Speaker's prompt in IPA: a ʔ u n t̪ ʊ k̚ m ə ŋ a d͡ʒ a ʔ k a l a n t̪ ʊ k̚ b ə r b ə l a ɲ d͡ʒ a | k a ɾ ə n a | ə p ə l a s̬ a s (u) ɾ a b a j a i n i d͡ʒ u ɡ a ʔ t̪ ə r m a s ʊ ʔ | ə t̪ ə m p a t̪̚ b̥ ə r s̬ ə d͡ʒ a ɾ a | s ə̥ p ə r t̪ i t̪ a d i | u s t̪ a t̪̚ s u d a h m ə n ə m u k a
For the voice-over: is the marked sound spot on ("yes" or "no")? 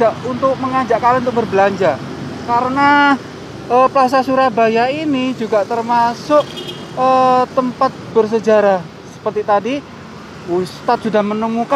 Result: yes